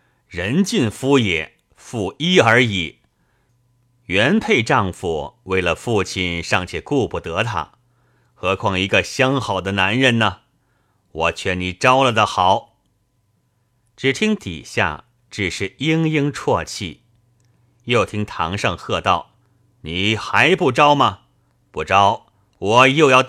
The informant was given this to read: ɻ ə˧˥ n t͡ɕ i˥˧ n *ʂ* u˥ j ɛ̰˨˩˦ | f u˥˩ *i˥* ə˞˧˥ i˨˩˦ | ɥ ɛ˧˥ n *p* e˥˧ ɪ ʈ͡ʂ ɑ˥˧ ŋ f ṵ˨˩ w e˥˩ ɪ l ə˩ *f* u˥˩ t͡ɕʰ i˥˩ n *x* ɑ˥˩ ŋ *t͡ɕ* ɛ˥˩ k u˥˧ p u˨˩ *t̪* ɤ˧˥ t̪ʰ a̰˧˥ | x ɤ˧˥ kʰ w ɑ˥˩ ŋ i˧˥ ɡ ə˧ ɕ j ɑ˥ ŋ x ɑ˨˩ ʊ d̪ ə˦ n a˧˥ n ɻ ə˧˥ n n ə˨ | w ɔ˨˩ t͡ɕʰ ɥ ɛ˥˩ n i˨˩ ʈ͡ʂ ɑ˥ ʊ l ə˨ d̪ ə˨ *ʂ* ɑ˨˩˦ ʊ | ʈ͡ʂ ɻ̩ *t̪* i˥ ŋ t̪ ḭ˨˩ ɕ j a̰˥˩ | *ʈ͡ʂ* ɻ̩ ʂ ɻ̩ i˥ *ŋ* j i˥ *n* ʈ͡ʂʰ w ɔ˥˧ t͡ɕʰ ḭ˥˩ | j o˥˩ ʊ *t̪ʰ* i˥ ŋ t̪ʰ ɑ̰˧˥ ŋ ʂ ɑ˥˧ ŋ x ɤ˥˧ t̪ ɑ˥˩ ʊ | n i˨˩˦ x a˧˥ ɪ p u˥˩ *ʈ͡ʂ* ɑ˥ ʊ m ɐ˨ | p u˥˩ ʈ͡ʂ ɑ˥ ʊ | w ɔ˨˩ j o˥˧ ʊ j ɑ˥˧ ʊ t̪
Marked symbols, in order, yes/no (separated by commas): no, yes, no, yes, no, no, yes, no, no, yes, yes, no, yes, yes